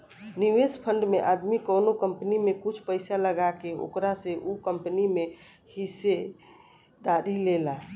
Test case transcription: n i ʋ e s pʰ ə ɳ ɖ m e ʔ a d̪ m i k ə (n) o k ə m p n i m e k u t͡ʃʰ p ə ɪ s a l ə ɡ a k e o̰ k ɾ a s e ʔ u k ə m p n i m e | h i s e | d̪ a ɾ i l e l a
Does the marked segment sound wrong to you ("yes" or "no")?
no